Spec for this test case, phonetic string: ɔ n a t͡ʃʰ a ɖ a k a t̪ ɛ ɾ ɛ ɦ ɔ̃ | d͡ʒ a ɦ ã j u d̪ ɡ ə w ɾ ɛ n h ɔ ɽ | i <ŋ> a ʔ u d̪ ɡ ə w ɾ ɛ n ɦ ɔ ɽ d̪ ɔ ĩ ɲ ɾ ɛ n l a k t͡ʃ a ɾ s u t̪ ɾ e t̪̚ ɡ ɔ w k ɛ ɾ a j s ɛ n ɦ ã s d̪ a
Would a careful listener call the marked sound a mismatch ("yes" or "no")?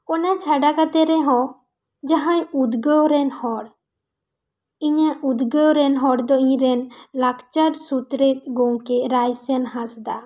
yes